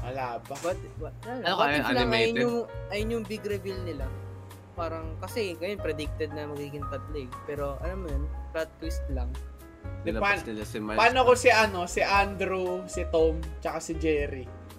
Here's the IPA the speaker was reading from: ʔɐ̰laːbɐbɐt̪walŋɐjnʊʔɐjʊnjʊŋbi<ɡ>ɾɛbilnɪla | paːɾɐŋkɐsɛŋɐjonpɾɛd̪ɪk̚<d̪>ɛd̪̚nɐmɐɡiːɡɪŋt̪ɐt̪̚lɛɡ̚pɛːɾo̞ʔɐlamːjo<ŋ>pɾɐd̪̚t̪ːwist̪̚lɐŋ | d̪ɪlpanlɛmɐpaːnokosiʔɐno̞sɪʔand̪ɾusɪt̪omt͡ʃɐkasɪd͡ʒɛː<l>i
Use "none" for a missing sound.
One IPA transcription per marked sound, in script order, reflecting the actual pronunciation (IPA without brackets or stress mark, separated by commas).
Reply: ɡ, t̪, n, ɾ